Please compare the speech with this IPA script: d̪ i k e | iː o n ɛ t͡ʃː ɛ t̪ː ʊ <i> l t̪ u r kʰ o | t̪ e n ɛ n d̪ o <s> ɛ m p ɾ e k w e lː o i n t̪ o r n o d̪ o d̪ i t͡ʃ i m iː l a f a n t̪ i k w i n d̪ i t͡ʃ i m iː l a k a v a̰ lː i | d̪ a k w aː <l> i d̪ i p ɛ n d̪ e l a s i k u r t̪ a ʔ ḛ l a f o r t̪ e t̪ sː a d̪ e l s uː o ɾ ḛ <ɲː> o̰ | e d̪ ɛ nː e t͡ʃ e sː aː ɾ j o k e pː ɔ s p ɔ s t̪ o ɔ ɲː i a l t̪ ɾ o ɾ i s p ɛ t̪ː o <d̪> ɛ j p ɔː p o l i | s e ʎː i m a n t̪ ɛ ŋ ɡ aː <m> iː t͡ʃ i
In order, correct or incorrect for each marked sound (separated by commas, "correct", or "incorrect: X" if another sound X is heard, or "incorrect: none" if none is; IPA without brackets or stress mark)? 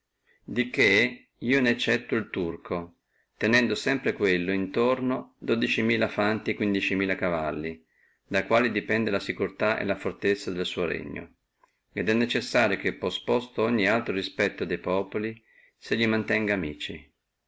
correct, correct, correct, correct, correct, correct